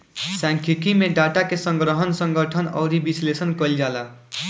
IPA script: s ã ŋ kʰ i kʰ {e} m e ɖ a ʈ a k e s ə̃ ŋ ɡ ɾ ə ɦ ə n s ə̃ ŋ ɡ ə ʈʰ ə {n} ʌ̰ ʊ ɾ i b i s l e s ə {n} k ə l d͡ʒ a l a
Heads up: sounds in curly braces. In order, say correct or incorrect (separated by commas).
incorrect, correct, correct